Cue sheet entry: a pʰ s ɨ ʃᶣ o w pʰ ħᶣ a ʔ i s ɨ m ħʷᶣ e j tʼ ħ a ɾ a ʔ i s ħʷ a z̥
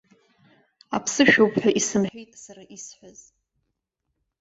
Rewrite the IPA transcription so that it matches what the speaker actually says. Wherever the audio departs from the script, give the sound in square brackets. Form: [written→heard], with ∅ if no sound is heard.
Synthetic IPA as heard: a pʰ s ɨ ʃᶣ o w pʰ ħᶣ a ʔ i s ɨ m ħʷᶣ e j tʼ [ħ→s] a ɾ a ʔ i s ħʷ a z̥